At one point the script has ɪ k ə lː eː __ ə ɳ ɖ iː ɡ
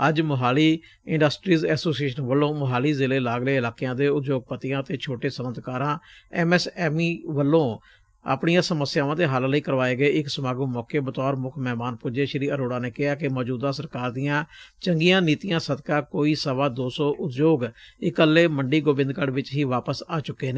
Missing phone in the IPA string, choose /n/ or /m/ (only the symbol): m